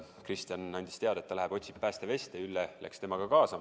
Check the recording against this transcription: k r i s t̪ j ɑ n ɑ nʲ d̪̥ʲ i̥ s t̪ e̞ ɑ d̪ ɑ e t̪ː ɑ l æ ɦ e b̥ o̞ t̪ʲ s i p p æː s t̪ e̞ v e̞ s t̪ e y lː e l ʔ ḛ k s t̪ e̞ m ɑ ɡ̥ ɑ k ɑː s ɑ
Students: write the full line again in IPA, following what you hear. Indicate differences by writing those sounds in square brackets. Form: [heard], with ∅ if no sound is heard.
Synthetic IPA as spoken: k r i s t̪ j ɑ n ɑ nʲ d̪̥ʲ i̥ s t̪ e̞ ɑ d̪ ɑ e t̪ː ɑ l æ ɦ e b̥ o̞ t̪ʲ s i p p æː s t̪ e̞ v e̞ s t̪ e y lː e l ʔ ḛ k s t̪ e̞ m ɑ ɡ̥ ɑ k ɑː s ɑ